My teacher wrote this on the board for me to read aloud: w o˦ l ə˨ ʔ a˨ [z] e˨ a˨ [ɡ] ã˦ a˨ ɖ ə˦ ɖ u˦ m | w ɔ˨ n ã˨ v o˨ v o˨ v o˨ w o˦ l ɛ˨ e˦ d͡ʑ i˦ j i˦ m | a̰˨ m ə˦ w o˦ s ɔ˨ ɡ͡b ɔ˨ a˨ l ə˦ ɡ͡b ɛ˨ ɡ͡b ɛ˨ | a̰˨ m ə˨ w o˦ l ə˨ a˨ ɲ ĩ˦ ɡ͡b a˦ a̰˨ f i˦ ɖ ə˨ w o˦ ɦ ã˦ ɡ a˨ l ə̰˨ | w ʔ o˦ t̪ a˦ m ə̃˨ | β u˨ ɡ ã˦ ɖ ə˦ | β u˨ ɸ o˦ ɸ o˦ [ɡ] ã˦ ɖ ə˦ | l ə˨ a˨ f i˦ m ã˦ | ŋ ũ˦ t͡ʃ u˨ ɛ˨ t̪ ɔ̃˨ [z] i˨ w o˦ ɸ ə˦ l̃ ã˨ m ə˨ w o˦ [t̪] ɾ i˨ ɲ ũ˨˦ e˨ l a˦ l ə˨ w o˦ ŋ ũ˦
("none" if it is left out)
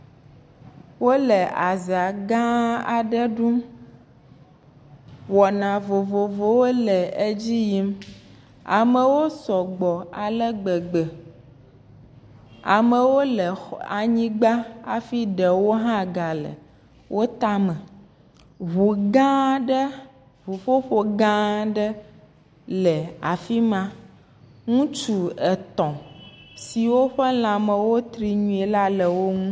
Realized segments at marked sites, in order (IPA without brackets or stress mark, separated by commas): z, ɡ, ɡ, s, t̪